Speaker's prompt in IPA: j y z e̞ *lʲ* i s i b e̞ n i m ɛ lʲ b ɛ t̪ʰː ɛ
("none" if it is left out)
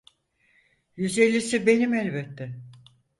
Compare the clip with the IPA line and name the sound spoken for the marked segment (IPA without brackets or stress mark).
lʲː